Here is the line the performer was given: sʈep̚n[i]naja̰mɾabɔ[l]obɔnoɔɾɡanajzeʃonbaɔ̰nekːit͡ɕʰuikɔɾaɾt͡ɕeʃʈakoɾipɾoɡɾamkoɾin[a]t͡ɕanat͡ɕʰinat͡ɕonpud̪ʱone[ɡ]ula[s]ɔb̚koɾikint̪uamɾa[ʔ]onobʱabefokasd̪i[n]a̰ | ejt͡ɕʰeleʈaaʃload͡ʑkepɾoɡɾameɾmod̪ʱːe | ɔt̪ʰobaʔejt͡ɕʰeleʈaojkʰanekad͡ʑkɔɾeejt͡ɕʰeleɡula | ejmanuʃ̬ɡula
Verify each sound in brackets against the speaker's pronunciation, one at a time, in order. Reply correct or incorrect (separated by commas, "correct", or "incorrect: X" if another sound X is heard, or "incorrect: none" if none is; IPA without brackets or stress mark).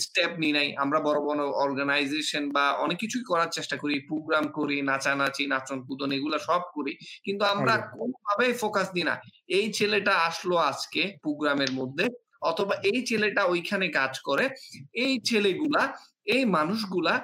correct, incorrect: ɾ, correct, correct, incorrect: ʃ, incorrect: k, correct